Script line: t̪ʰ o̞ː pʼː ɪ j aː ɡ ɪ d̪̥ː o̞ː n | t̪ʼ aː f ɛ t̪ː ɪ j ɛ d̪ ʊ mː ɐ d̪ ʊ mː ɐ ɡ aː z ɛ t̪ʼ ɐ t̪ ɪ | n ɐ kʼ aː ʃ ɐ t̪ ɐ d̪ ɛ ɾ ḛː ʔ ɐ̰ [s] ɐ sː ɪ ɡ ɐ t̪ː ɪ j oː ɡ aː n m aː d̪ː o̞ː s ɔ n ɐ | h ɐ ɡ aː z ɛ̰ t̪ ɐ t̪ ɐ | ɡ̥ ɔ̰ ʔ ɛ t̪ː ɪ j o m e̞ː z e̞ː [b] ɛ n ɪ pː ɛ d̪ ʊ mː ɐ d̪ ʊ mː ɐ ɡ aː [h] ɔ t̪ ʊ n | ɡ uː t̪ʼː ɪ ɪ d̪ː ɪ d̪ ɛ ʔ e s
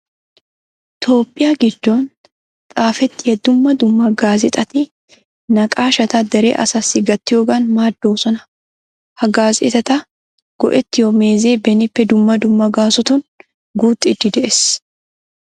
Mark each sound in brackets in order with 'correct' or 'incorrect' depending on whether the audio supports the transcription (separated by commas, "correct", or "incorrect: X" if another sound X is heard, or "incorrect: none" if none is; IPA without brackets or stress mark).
correct, correct, incorrect: s